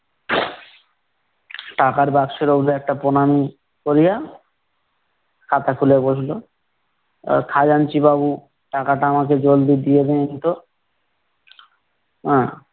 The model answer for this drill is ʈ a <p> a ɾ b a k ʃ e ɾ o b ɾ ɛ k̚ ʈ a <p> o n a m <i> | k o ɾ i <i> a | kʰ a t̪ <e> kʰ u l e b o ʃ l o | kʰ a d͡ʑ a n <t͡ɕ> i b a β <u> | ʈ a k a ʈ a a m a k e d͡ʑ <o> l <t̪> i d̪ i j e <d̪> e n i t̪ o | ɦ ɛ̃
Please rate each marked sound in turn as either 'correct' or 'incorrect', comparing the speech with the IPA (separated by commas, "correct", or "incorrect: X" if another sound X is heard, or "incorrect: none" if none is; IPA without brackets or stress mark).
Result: incorrect: k, correct, correct, incorrect: j, incorrect: a, correct, correct, correct, incorrect: d̪, correct